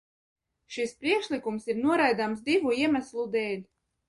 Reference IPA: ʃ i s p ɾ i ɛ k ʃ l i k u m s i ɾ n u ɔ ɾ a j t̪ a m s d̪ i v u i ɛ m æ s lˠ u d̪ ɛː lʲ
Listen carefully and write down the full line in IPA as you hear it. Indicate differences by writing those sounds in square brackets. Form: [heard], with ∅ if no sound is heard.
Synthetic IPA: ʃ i s p ɾ i ɛ k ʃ l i k u m s i ɾ n u ɔ ɾ a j [d̪] a m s d̪ i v u i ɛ m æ s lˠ u d̪ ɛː lʲ